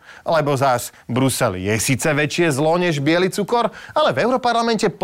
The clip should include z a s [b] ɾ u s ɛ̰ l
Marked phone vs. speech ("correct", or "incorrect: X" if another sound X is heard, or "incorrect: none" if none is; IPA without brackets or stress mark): correct